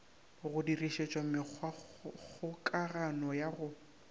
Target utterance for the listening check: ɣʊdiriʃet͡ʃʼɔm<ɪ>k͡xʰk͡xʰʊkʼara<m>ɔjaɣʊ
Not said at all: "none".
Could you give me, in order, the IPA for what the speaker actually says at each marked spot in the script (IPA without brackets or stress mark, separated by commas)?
ɪ, n